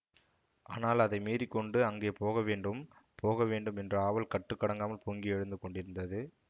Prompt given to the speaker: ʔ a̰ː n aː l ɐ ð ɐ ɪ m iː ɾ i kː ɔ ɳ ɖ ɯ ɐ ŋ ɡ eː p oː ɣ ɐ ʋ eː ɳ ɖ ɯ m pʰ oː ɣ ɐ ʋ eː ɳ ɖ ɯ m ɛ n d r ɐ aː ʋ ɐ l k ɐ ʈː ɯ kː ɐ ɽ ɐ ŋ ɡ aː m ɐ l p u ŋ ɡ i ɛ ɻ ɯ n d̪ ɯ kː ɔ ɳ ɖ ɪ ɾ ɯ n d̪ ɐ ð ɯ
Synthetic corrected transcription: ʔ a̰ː n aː l ɐ ð ɐ ɪ m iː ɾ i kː ɔ ɳ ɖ ɯ ɐ ŋ ɡ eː p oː ɣ ɐ ʋ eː ɳ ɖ ɯ m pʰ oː ɣ ɐ ʋ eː ɳ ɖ ɯ m ɛ n d r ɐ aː ʋ ɐ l k ɐ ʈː ɯ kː ɐ ɽ ɐ ŋ ɡ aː m ɐ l p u ŋ ɡ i ɛ ɻ ɯ n d̪ ɯ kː ɔ ɳ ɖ ɪ ɾ ɯ n d̪ ɐ ð ɯ